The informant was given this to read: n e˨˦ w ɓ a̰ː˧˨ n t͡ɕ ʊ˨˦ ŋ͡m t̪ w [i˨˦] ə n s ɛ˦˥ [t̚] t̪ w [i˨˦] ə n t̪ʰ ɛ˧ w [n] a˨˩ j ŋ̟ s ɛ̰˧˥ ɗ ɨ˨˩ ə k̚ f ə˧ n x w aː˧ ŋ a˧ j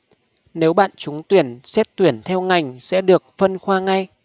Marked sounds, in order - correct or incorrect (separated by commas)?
incorrect, correct, incorrect, incorrect